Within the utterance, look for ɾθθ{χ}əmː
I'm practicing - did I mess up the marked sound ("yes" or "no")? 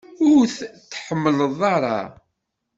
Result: yes